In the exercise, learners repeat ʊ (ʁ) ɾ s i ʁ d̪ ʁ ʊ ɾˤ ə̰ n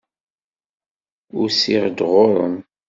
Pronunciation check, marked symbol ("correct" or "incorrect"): incorrect